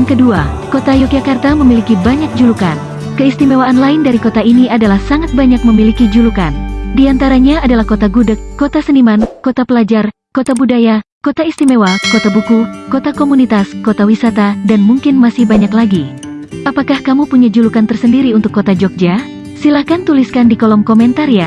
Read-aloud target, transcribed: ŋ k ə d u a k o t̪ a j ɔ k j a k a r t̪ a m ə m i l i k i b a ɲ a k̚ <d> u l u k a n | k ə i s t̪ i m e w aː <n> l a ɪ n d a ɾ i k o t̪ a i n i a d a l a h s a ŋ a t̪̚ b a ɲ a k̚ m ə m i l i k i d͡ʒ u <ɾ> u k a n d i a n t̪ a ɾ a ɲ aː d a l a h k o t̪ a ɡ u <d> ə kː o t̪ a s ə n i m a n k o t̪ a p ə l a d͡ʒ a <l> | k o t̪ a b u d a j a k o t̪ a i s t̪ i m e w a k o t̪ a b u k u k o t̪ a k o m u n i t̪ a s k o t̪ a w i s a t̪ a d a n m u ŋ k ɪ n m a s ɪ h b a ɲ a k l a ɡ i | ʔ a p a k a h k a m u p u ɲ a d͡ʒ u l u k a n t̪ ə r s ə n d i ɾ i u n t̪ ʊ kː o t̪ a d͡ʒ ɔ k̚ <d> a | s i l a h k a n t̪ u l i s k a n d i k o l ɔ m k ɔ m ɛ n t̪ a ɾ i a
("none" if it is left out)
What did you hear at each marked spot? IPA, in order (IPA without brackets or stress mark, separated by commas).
d͡ʒ, n, l, d, r, d͡ʒ